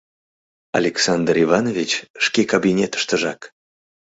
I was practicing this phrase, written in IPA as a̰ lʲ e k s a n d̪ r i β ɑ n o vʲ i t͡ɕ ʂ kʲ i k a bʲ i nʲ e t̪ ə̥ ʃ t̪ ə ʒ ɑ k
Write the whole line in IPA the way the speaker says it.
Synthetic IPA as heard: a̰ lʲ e k s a n d̪ r i v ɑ n o vʲ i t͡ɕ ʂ kʲ e k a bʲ i nʲ e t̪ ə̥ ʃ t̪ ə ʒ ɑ k